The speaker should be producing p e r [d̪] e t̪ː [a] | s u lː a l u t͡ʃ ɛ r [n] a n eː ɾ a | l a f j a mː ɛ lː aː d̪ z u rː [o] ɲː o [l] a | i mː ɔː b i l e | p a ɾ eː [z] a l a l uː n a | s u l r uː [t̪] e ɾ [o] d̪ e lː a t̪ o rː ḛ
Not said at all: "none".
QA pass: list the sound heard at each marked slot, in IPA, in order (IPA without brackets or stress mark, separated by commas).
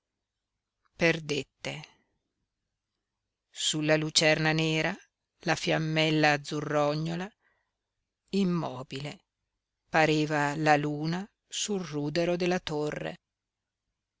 d̪, e, n, ɔ, l, v, d̪, o